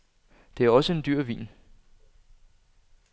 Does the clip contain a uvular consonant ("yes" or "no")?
no